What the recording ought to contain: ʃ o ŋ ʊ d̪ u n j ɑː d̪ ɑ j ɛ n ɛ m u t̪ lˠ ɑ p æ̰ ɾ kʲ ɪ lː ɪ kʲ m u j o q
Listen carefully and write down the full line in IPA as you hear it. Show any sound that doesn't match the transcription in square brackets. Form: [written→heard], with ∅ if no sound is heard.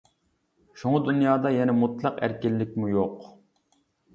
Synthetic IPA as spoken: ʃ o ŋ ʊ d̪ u n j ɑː d̪ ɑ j ɛ n ɛ m u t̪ lˠ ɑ [p→q] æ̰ ɾ kʲ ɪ lː ɪ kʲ m u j o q